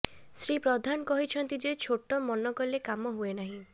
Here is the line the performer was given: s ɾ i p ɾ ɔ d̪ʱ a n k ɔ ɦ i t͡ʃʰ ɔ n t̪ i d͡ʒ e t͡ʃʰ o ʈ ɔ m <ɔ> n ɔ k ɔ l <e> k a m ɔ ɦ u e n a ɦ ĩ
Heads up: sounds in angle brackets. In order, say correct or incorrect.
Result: correct, correct

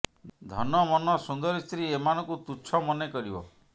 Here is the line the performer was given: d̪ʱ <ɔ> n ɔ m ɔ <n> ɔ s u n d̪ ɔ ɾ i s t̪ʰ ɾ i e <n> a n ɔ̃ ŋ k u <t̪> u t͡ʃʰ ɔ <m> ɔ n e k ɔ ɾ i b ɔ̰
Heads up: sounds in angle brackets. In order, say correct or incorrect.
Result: correct, correct, incorrect, correct, correct

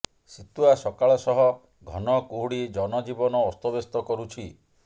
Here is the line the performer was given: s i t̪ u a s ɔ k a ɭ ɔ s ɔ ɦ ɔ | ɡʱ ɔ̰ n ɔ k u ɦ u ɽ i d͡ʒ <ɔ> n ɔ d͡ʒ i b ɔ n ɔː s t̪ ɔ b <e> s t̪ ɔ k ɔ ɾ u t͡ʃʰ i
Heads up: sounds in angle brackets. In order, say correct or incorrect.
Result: correct, correct

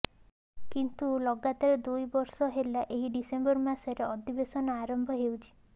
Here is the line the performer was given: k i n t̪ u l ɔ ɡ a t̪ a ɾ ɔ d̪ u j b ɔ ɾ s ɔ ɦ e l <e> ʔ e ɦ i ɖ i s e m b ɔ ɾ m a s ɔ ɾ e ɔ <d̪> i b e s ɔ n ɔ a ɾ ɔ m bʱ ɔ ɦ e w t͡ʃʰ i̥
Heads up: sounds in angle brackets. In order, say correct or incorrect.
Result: incorrect, correct

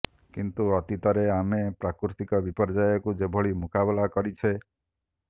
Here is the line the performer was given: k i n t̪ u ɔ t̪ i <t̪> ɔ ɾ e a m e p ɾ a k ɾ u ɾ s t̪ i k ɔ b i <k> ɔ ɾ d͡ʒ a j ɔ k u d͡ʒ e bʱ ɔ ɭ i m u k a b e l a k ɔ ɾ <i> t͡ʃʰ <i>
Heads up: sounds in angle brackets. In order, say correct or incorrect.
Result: correct, incorrect, correct, incorrect

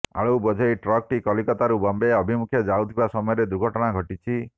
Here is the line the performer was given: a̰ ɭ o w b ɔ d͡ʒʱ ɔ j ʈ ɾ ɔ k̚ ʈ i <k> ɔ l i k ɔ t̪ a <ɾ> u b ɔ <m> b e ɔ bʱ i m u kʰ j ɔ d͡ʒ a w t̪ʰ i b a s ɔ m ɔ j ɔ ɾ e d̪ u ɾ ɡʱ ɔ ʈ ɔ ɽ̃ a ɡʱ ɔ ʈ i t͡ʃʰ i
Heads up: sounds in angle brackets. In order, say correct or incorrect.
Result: correct, correct, correct

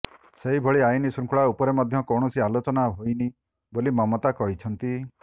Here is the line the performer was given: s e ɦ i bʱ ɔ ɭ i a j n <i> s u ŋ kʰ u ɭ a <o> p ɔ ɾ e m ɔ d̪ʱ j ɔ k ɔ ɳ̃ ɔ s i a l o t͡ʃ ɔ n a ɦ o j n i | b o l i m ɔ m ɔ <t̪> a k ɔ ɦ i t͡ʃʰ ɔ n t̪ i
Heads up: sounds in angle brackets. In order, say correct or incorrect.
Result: correct, incorrect, correct

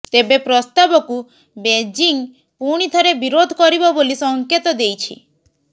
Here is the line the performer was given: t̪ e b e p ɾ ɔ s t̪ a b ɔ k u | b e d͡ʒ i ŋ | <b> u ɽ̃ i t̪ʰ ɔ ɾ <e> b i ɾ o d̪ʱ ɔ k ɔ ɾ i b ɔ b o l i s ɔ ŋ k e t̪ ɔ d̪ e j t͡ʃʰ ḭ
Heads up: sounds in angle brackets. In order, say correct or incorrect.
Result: incorrect, correct

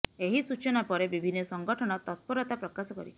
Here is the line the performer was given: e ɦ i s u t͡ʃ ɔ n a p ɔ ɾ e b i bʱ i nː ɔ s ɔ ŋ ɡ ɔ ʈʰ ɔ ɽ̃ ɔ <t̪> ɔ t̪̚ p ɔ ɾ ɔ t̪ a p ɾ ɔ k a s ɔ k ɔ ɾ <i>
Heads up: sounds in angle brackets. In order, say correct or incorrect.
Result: correct, correct

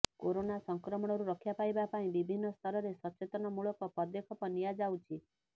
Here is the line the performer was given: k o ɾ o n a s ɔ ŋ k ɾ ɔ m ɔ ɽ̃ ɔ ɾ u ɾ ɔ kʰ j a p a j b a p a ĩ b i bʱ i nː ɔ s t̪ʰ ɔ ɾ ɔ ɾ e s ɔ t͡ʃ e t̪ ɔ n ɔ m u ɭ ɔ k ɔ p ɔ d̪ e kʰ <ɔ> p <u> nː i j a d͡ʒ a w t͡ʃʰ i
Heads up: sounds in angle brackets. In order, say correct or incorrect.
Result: correct, incorrect

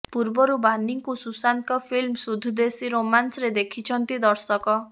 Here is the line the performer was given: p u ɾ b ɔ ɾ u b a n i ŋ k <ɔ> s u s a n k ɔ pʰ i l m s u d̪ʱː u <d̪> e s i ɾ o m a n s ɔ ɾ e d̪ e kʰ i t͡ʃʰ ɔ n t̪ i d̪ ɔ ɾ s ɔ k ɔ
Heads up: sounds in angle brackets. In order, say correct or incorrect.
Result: incorrect, correct

